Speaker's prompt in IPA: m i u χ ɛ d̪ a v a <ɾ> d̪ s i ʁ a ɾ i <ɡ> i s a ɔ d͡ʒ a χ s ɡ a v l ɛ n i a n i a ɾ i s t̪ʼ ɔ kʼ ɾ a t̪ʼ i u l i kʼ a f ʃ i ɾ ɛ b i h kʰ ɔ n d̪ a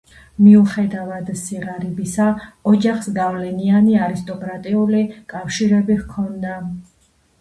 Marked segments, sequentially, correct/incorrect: incorrect: none, incorrect: b

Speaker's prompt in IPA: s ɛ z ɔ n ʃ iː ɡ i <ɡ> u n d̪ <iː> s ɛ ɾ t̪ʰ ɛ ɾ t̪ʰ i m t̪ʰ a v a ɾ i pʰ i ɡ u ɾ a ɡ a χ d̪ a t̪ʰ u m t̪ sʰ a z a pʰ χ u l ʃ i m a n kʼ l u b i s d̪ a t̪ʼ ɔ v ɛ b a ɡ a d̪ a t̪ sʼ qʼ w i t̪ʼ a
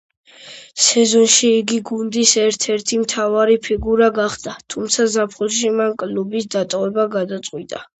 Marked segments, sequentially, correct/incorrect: correct, incorrect: i

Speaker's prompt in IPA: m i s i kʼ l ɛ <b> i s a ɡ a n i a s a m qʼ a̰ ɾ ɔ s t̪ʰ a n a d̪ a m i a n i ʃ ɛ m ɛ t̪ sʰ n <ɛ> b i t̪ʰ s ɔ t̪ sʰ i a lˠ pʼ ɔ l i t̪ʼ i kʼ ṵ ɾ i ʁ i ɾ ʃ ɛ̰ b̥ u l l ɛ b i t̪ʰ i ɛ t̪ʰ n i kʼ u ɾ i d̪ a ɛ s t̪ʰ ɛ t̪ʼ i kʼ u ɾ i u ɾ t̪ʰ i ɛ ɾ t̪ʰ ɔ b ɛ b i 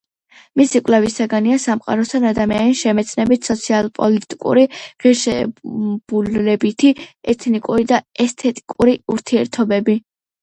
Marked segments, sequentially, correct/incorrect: incorrect: v, correct

